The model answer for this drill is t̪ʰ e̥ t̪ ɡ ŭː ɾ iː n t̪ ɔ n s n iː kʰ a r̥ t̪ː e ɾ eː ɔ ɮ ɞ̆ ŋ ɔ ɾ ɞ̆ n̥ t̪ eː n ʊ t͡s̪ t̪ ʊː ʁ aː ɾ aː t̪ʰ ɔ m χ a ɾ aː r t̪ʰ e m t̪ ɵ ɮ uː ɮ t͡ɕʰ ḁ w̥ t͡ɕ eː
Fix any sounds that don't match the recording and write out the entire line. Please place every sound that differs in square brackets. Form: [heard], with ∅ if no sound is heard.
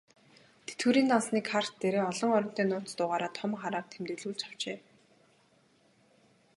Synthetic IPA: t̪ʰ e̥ t̪ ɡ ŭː ɾ iː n t̪ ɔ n s n iː kʰ a r̥ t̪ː e ɾ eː ɔ ɮ ɞ̆ ŋ ɔ ɾ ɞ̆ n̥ t̪ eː n [ʊː] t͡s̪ t̪ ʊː ʁ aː ɾ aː t̪ʰ ɔ m χ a ɾ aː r t̪ʰ e m t̪ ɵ ɮ uː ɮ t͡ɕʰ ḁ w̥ t͡ɕ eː